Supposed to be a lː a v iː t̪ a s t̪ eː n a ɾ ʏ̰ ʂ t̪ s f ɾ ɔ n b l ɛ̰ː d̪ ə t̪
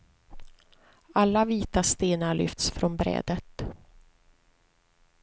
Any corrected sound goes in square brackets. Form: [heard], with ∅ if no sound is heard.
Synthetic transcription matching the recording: a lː a v iː t̪ a s t̪ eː n a [ɭ] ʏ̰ [f] t̪ s f ɾ ɔ n b [ɾ] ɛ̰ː d̪ ə t̪